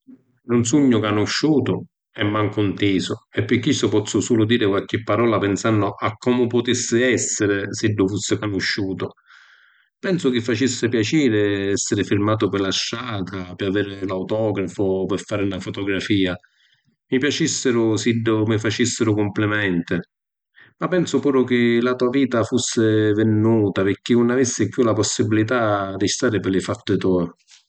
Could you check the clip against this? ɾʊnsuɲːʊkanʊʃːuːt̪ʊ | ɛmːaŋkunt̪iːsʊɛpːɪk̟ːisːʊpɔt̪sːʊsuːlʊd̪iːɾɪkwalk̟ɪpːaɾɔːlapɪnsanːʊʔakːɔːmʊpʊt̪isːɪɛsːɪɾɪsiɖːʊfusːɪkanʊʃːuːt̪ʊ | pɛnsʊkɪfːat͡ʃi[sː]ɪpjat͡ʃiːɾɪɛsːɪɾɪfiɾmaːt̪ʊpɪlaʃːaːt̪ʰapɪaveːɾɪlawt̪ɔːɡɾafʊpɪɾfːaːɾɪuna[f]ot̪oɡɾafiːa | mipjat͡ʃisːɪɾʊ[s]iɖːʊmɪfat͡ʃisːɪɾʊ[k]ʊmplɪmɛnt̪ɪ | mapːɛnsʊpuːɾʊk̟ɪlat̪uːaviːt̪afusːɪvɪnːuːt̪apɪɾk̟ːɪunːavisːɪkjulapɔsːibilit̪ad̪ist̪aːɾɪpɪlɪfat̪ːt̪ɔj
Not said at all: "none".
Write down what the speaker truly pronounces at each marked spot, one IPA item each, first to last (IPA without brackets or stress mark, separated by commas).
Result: sː, f, s, k